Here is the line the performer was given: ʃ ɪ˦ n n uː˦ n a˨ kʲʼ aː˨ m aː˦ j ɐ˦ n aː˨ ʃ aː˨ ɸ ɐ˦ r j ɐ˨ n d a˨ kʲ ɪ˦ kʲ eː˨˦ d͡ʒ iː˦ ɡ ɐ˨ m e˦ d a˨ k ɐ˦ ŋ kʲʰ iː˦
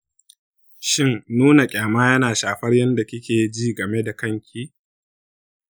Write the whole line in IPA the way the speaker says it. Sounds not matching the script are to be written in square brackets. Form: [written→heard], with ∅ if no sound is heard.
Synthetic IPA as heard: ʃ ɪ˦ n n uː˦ n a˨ kʲʼ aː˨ m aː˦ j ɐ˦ n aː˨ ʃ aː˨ ɸ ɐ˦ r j [ɐ˨→ɐ˦] n d a˨ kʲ ɪ˦ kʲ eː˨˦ d͡ʒ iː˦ ɡ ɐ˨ m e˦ d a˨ k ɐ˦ ŋ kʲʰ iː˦